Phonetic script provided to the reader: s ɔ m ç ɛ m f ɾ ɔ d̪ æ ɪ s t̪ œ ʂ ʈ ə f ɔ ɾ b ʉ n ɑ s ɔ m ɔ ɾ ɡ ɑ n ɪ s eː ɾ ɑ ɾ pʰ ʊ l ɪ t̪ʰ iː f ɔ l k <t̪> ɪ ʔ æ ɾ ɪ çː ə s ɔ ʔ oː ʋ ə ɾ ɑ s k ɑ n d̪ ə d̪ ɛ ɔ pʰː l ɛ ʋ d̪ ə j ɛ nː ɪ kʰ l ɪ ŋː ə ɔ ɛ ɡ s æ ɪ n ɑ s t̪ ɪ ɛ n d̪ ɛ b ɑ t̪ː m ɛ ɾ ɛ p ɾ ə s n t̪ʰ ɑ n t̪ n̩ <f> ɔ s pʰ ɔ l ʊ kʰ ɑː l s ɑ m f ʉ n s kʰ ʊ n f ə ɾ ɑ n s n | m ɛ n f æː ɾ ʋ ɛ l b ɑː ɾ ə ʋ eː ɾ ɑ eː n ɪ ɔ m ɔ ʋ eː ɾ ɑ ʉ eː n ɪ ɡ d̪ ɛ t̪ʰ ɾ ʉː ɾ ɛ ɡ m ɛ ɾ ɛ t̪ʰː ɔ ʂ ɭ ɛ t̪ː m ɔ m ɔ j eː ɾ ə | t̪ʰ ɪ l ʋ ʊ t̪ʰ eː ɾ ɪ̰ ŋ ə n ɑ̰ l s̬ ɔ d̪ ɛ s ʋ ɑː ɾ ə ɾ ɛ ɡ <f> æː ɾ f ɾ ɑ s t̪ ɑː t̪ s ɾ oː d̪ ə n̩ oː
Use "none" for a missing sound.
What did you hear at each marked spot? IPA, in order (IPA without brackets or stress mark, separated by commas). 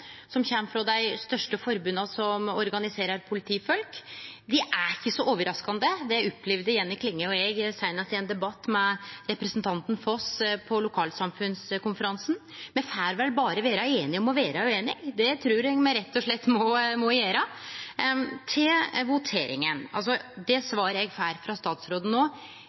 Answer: d̪, f, f